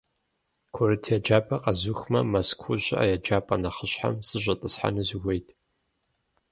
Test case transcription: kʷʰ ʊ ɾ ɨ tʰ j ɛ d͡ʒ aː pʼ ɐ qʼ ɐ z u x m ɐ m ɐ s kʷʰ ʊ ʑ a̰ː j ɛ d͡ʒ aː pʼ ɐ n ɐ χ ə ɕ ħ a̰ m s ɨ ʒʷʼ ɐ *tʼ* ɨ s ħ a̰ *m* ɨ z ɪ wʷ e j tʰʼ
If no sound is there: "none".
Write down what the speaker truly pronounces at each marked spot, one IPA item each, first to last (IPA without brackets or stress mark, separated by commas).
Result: tʼ, n